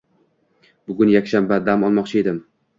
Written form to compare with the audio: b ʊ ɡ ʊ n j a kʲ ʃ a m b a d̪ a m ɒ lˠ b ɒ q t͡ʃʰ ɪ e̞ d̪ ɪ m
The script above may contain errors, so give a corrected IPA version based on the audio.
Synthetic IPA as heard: b ʊ ɡ ʊ n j a kʲ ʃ a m b a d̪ a m ɒ lˠ m ɒ q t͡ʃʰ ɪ e̞ d̪ ɪ m